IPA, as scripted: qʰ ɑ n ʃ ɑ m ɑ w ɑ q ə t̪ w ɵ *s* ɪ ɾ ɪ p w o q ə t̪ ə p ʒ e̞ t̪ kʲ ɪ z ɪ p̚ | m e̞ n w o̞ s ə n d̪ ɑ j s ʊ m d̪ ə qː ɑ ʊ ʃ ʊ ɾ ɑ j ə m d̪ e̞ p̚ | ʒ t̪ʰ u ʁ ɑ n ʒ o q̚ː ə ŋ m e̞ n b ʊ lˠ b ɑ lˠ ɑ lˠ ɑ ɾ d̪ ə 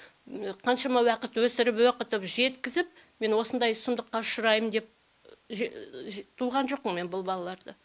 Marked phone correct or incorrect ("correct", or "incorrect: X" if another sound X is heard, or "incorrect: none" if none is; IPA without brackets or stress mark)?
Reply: correct